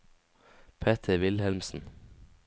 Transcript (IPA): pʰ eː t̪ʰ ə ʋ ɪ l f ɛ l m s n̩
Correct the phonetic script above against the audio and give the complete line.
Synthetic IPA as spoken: pʰ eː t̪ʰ ə ʋ ɪ l h ɛ l m s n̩